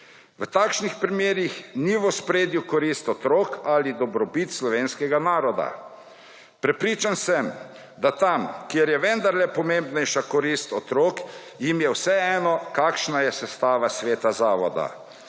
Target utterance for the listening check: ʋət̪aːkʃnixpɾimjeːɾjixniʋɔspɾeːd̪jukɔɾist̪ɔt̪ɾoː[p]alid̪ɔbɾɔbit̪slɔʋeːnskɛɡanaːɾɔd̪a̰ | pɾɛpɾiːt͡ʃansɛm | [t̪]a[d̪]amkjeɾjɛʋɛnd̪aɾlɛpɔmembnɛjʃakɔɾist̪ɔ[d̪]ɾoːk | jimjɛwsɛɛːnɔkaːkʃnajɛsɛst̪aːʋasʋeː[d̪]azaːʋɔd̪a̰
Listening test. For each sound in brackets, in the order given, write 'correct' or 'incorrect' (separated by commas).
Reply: incorrect, incorrect, incorrect, incorrect, incorrect